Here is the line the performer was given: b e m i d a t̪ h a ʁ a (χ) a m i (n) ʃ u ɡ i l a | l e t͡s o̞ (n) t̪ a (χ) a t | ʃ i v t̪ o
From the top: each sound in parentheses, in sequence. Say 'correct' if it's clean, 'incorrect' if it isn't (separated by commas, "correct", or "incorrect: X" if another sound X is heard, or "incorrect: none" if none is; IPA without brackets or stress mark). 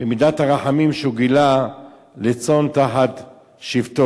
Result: incorrect: ħ, incorrect: m, correct, incorrect: ħ